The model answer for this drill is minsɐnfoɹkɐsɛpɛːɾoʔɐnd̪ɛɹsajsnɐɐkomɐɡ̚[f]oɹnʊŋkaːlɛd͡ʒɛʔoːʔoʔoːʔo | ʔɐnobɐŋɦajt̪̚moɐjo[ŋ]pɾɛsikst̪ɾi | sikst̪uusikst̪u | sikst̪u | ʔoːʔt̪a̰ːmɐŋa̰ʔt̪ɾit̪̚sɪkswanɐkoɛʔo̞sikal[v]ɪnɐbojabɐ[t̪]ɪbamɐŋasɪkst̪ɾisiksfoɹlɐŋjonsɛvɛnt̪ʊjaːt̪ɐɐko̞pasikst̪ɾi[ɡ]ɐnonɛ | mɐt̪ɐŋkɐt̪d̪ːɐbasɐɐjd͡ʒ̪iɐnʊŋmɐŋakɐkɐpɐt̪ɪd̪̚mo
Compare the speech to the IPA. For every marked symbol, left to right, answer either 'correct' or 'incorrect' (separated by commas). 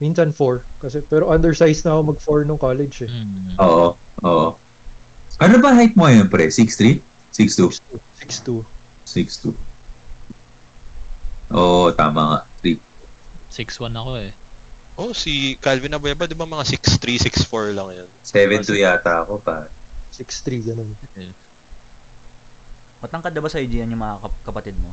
correct, incorrect, correct, incorrect, correct